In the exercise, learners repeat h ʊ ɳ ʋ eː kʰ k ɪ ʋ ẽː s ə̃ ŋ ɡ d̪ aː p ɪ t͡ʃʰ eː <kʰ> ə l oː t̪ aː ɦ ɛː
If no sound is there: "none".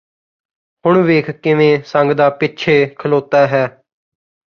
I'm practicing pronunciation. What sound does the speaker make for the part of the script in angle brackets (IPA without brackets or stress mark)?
kʰ